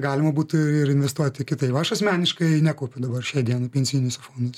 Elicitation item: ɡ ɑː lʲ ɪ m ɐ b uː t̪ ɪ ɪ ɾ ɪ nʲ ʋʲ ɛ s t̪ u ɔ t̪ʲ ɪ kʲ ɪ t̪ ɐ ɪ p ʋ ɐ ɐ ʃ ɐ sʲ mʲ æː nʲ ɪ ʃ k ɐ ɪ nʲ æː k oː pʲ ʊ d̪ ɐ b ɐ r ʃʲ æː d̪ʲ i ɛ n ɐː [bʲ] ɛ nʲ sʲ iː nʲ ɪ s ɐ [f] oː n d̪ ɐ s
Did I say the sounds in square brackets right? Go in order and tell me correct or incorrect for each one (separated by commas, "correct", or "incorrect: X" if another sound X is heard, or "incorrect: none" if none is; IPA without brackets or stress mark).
incorrect: pʲ, correct